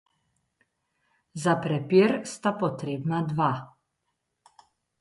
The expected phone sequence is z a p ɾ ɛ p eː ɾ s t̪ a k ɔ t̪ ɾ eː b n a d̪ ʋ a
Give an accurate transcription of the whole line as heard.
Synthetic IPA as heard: z a p ɾ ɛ p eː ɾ s t̪ a p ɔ t̪ ɾ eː b n a d̪ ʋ a